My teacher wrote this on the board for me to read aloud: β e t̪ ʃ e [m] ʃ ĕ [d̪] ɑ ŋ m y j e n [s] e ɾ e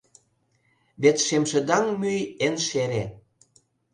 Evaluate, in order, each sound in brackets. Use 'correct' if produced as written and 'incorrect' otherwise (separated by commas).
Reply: correct, correct, incorrect